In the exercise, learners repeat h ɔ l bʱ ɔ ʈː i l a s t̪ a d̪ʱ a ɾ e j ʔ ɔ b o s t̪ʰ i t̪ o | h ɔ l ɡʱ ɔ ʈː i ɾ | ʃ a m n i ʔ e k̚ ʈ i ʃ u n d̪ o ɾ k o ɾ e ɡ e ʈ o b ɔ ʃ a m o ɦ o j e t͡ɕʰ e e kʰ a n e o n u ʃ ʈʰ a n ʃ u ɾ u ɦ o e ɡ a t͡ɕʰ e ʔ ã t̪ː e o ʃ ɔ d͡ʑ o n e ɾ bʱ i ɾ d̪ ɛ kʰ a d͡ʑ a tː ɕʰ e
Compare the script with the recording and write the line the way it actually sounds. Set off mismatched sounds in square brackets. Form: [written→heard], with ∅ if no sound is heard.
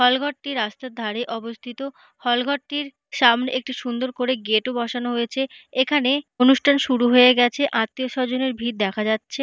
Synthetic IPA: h ɔ l [bʱ→ɡʱ] ɔ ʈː i [l→ɾ] a s t̪ a d̪ʱ a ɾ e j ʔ ɔ b o s t̪ʰ i t̪ o | h ɔ l ɡʱ ɔ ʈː i ɾ | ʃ a m n [i→e] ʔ e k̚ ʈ i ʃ u n d̪ o ɾ k o ɾ e ɡ e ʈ o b ɔ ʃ a [m→n] o ɦ o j e t͡ɕʰ e e kʰ a n e o n u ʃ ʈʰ a n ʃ u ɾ u ɦ o e ɡ [a→ɛ] t͡ɕʰ e ʔ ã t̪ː [e→i] o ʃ ɔ d͡ʑ o n e ɾ bʱ i ɾ d̪ ɛ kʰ a d͡ʑ a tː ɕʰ e